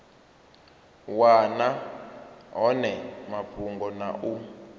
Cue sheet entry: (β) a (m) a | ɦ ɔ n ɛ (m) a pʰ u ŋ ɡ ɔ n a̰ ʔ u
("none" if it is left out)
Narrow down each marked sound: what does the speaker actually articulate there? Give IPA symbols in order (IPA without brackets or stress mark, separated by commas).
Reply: w, n, m